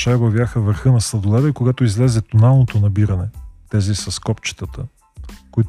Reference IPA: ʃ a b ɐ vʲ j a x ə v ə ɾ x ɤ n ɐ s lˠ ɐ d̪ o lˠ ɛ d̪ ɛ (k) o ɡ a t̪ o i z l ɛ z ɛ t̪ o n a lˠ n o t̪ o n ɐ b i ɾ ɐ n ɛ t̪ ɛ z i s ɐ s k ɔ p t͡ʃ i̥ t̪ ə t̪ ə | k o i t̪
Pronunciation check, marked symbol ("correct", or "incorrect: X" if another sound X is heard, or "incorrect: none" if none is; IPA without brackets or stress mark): correct